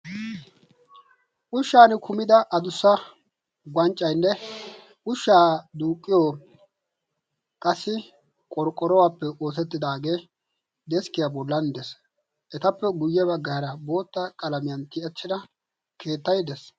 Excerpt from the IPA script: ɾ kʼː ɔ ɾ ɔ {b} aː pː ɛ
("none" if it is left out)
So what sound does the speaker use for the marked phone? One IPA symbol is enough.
w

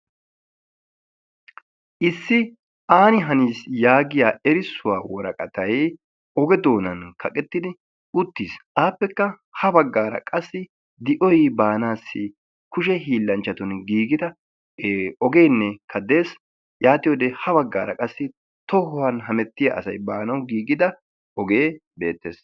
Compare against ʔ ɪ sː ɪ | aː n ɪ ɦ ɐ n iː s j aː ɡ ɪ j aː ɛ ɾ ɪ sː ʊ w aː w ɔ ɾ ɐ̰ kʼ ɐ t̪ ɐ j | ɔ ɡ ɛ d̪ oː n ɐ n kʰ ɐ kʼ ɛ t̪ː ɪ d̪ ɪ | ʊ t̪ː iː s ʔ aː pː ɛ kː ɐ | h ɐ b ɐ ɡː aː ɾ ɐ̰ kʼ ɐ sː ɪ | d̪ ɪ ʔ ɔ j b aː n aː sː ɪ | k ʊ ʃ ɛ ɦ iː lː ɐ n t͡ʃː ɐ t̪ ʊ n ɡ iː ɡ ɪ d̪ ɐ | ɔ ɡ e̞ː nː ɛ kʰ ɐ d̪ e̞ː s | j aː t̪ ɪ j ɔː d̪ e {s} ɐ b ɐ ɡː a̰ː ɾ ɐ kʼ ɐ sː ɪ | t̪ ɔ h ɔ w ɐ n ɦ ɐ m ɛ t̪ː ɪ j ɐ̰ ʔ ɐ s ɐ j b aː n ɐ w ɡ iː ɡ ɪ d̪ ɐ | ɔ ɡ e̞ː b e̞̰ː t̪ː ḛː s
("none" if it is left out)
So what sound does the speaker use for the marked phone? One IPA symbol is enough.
h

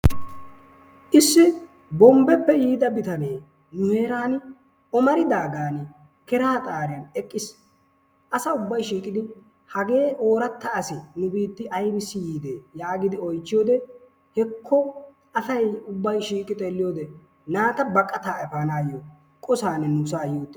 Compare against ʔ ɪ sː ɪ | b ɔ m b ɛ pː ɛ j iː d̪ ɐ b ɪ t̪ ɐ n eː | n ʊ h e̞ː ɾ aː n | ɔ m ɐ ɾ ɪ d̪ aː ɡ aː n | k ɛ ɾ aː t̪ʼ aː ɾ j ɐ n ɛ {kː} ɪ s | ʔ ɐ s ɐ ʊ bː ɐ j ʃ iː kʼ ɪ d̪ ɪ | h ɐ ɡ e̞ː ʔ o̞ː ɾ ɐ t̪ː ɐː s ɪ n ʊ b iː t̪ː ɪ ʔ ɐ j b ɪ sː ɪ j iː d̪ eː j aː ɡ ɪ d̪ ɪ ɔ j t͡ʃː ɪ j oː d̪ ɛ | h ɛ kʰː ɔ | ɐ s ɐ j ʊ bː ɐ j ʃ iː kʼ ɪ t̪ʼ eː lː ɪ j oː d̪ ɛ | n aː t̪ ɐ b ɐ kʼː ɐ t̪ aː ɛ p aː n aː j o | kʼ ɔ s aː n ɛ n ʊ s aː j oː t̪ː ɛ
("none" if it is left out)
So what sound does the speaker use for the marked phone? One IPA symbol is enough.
kʼː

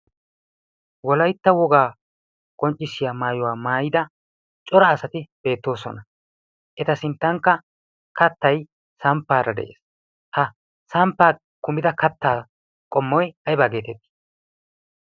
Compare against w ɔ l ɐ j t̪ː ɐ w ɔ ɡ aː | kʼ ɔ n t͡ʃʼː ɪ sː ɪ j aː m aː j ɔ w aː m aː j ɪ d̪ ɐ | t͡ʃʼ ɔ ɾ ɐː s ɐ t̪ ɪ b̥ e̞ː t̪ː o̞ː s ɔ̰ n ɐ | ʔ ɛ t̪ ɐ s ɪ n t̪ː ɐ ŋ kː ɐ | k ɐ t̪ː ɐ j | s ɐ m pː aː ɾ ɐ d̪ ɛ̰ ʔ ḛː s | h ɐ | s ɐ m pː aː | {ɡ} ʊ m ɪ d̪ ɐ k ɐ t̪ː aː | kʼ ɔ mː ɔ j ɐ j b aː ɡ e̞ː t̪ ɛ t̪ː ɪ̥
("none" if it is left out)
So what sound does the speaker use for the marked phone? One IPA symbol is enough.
k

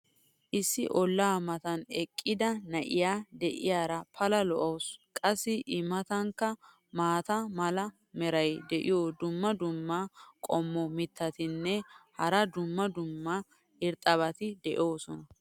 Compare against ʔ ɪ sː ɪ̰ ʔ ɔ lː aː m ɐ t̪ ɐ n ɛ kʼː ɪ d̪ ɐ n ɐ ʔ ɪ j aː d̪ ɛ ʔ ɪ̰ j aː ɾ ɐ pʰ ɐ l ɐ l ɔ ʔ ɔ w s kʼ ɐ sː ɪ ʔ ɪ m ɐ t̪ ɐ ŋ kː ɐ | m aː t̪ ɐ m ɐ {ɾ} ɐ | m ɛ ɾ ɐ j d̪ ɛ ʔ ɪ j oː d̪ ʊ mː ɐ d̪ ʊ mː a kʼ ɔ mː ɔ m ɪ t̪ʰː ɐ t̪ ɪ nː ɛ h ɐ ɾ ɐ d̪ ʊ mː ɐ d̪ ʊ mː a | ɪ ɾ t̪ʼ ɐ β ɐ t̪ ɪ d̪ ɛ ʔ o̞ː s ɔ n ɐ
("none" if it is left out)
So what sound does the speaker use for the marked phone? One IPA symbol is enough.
l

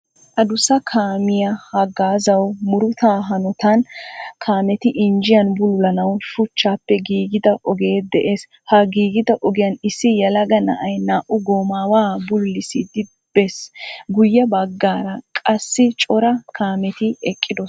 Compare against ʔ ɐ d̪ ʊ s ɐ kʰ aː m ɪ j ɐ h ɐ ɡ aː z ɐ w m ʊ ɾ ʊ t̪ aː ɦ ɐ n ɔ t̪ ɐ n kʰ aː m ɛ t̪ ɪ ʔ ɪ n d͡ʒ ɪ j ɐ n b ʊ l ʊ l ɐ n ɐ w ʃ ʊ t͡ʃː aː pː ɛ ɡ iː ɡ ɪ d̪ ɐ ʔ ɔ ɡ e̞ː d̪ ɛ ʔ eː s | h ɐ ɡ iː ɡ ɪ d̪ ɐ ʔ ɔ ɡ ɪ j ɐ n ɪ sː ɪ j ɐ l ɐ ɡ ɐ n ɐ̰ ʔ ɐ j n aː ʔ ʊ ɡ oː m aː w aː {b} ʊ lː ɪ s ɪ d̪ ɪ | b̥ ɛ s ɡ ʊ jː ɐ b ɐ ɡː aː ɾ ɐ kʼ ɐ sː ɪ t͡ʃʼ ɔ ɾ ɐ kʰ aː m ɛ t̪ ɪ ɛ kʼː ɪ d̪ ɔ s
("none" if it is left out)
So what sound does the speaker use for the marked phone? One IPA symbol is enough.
b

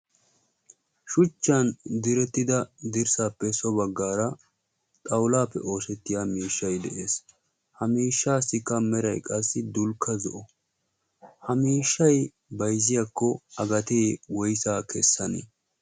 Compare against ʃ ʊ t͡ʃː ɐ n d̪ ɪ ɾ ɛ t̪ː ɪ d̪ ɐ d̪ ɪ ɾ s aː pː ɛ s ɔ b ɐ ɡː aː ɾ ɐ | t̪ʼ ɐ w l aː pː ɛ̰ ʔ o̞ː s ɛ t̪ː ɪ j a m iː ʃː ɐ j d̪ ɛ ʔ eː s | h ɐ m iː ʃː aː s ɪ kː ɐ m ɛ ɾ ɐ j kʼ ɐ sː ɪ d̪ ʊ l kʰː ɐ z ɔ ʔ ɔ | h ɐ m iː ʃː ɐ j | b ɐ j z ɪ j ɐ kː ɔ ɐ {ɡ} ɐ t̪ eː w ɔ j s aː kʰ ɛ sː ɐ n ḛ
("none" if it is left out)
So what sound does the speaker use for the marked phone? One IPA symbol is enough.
ɡ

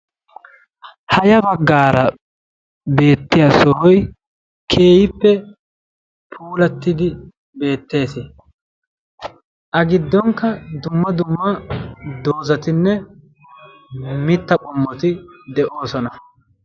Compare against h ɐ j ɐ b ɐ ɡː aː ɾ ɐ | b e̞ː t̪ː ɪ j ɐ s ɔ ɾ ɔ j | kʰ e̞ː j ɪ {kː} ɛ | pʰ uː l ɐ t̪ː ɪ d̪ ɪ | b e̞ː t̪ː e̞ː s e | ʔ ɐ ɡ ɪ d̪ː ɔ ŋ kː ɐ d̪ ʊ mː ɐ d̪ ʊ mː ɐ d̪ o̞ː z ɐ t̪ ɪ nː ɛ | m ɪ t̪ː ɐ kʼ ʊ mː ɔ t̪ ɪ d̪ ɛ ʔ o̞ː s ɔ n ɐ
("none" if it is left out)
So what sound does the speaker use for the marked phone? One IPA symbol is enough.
pː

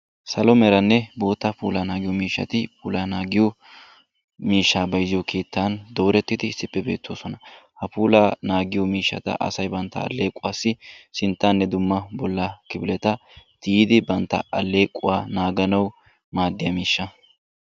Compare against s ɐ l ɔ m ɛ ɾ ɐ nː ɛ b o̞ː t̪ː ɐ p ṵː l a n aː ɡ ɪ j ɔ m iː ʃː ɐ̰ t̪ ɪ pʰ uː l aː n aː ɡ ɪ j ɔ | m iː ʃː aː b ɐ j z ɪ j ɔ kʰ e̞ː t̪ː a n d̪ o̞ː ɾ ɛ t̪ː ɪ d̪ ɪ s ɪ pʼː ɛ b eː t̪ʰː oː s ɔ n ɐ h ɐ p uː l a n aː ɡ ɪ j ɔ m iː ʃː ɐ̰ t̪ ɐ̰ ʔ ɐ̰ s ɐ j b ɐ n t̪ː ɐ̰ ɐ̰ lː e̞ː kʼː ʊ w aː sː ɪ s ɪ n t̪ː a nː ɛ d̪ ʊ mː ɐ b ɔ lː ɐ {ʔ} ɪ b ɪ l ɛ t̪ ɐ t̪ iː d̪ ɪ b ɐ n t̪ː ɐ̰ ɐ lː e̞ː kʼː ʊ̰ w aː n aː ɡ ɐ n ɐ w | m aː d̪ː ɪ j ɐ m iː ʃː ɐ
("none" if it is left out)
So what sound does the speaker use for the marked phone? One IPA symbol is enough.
k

